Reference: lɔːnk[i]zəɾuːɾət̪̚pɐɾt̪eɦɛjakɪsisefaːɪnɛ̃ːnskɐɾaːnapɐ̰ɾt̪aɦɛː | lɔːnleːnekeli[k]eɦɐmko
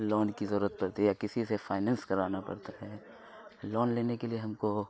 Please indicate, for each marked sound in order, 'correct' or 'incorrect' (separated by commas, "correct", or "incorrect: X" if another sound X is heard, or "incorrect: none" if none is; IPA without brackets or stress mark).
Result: correct, incorrect: none